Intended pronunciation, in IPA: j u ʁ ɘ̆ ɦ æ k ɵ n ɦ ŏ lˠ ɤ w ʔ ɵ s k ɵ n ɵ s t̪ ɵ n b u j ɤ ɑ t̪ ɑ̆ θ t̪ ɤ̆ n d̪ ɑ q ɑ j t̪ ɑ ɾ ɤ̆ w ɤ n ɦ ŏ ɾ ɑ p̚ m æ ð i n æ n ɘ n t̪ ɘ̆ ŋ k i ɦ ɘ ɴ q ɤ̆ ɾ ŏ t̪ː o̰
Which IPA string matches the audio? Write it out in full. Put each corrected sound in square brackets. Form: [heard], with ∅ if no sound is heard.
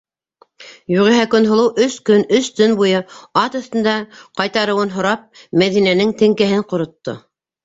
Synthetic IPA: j u ʁ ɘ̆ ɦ æ k ɵ n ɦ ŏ lˠ ɤ w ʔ ɵ s k ɵ n ɵ s t̪ ɵ n b u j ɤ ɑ t̪ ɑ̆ θ t̪ ɤ̆ n d̪ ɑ q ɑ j t̪ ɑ ɾ ɤ̆ w ɤ n ɦ ŏ ɾ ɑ p̚ m æ ð i n æ n ɘ [ŋ] t̪ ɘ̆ ŋ k [æ] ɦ ɘ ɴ q [ŏ] ɾ ŏ t̪ː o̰